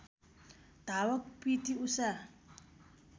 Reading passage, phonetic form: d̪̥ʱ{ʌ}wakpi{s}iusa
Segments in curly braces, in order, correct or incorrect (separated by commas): incorrect, incorrect